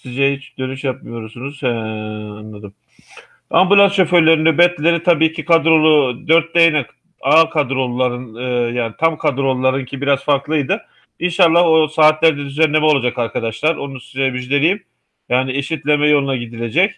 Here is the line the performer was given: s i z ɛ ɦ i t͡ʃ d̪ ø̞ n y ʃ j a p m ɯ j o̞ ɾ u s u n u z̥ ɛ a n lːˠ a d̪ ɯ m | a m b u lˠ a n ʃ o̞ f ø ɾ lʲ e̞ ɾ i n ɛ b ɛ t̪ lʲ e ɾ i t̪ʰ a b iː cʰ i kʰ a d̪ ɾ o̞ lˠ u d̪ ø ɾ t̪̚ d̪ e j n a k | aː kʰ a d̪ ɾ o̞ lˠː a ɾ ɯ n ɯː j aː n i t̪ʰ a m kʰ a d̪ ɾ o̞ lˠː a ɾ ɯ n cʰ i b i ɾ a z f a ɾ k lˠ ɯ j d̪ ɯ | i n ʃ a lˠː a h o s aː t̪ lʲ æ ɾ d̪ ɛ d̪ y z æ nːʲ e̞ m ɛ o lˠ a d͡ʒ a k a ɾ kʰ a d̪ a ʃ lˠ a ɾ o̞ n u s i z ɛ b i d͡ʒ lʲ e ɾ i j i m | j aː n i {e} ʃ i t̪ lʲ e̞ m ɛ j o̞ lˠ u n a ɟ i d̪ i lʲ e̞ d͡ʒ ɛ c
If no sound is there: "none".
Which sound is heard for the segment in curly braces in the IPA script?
e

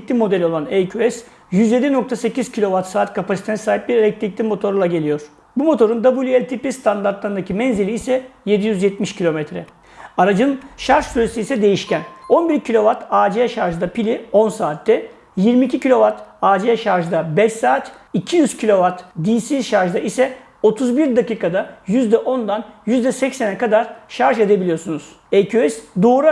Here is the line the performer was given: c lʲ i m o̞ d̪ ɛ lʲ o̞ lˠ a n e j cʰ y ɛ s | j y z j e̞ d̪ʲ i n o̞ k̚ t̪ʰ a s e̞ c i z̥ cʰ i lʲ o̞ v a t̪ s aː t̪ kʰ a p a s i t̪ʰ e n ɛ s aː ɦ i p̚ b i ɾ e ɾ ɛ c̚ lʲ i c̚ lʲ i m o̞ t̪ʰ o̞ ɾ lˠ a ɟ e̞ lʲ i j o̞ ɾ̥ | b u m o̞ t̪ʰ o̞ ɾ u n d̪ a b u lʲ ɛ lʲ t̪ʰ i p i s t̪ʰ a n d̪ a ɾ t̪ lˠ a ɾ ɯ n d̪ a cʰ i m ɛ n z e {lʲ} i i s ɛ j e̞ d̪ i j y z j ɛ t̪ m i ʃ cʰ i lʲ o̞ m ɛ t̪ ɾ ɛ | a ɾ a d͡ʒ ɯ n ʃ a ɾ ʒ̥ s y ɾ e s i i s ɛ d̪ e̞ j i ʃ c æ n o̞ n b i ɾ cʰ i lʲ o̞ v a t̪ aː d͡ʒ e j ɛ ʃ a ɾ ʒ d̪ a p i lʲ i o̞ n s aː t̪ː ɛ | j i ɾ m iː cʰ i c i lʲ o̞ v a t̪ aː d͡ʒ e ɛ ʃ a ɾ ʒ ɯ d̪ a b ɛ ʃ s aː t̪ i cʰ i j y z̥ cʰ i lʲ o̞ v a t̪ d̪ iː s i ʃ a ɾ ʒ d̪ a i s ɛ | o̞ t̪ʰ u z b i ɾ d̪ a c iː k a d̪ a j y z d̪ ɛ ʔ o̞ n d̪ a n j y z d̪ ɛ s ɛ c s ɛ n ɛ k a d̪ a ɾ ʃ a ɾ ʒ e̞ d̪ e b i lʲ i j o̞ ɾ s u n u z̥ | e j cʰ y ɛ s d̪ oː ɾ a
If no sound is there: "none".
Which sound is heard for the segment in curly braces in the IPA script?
lʲ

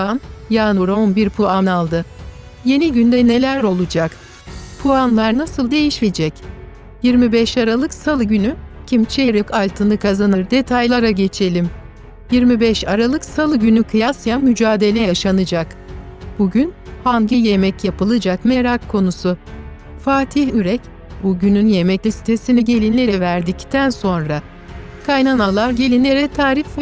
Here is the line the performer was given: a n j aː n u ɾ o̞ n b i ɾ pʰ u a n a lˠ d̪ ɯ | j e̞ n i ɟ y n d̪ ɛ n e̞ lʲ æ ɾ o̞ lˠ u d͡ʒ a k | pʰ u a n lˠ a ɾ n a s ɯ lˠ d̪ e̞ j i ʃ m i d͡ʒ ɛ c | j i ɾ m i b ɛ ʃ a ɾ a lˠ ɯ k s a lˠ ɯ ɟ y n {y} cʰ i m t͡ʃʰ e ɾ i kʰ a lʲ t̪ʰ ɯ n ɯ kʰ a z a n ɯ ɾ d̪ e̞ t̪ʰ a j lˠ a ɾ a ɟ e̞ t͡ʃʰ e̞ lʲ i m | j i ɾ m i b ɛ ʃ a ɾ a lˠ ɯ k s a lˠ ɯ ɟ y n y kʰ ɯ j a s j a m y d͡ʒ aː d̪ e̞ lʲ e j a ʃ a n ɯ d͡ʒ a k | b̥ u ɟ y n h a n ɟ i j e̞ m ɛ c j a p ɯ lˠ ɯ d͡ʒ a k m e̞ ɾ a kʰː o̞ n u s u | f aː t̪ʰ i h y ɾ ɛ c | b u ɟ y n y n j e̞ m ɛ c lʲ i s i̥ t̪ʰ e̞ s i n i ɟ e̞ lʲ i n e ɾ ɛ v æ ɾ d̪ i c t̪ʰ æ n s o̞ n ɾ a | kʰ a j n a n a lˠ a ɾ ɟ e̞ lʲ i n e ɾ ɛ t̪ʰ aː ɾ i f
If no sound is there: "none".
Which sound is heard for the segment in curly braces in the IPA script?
y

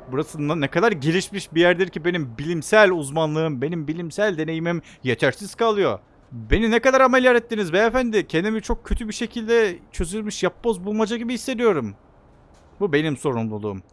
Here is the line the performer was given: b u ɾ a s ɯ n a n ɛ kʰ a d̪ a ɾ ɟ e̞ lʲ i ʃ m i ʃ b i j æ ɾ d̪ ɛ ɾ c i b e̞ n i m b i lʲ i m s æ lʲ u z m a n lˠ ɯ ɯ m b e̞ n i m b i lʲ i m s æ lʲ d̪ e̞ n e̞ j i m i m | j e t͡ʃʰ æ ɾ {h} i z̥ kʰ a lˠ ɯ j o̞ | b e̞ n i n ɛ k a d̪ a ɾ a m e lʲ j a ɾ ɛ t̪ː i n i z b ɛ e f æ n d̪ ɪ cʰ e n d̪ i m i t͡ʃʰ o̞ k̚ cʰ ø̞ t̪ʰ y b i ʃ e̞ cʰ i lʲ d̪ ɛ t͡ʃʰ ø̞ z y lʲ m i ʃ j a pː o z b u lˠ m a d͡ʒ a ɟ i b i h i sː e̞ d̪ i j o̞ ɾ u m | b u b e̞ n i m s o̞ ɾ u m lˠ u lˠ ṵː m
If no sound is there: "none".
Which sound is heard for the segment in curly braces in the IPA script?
s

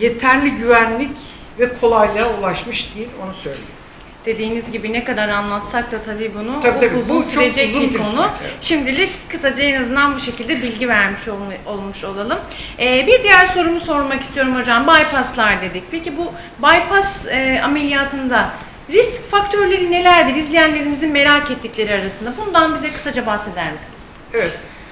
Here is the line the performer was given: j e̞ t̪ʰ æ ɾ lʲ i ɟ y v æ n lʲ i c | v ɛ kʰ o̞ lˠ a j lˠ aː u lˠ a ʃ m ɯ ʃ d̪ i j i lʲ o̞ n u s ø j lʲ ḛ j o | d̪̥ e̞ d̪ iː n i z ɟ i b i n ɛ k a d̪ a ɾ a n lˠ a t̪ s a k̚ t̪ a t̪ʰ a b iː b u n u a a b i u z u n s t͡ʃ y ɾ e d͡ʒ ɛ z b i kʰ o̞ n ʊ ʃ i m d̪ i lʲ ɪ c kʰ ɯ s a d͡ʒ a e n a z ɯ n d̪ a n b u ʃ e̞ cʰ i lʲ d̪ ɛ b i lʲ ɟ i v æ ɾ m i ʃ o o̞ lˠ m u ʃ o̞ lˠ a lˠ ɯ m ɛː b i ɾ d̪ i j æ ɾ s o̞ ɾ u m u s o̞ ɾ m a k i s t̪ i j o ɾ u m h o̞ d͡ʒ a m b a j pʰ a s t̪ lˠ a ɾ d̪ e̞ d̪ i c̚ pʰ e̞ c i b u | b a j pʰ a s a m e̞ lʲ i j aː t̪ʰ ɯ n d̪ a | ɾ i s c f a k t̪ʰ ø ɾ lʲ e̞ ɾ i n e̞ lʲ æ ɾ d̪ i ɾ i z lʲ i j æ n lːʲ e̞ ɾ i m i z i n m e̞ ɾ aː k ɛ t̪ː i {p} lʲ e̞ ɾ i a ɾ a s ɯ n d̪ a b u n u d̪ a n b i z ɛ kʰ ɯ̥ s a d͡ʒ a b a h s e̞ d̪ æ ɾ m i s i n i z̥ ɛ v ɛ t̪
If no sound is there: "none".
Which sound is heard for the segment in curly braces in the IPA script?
c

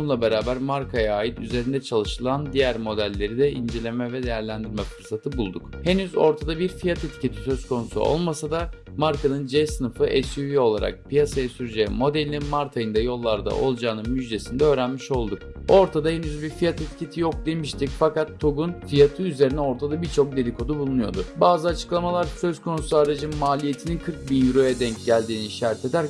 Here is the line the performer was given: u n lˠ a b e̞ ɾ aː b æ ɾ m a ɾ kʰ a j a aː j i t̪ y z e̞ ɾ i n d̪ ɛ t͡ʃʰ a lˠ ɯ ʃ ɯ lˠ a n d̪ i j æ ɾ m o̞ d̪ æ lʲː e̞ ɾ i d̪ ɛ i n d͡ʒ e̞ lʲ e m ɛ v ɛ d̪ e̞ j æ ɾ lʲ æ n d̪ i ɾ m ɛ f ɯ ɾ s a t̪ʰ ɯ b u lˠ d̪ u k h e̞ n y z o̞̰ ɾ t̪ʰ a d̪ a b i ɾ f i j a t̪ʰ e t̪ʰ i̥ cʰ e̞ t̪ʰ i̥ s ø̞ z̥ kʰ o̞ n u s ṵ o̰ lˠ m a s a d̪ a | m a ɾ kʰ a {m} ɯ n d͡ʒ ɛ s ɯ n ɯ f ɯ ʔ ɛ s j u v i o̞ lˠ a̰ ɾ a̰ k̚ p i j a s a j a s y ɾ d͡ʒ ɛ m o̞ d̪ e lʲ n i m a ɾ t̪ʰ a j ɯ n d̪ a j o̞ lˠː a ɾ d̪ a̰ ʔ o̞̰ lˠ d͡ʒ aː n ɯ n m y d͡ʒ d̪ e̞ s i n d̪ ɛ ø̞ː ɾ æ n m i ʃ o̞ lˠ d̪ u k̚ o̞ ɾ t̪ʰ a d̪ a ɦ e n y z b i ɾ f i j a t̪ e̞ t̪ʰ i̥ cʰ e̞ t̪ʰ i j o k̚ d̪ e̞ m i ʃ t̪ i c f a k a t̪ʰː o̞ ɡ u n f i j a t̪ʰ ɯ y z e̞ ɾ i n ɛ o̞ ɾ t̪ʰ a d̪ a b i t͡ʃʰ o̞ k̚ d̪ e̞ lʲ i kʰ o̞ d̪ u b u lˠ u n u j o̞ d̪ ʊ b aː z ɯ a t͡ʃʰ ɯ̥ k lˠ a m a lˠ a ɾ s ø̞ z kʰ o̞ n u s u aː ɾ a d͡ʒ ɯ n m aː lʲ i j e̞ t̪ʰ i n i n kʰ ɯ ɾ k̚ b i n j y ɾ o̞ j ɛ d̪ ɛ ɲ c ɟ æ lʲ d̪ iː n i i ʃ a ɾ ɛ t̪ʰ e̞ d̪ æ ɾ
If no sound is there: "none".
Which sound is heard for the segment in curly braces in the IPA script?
n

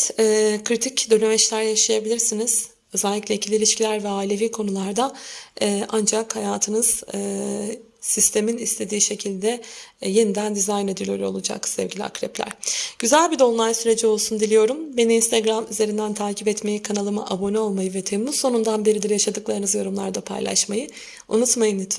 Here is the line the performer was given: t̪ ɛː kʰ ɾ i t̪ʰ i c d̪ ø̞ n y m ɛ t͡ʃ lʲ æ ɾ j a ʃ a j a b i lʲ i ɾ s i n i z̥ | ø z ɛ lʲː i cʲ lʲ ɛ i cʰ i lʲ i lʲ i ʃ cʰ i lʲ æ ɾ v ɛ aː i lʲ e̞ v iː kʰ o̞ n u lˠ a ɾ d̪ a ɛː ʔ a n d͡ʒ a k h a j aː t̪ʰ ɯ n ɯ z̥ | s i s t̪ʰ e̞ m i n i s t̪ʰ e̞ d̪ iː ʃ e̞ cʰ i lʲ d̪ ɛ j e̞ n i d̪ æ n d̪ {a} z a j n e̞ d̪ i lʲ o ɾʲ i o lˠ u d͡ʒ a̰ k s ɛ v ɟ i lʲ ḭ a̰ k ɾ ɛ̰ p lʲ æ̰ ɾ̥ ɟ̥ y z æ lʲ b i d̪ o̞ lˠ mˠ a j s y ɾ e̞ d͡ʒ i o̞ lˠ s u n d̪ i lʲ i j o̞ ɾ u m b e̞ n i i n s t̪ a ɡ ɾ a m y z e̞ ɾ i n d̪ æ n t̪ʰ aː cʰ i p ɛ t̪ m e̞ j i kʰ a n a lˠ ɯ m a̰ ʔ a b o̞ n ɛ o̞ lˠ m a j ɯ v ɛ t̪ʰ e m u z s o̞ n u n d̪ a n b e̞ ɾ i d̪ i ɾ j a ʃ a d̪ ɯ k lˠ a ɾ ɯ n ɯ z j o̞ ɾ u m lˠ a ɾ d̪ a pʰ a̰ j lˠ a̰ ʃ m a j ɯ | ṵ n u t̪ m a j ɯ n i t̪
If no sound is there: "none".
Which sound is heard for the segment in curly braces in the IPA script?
i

